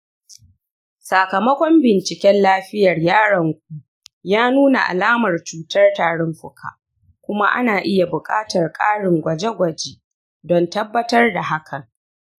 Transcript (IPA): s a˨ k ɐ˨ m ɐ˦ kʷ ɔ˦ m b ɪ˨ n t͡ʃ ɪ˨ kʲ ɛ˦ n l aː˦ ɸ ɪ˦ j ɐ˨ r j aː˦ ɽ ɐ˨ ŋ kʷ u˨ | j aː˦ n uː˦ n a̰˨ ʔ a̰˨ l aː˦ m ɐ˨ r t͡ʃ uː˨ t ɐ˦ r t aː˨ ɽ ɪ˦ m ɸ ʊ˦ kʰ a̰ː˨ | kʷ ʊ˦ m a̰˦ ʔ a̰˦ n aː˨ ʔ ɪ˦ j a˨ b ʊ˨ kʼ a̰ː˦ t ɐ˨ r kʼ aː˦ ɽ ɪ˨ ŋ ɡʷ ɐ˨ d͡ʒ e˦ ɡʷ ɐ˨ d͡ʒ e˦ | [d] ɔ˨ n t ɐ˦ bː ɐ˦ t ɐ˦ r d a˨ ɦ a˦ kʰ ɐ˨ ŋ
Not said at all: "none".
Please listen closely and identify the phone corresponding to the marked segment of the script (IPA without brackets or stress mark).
d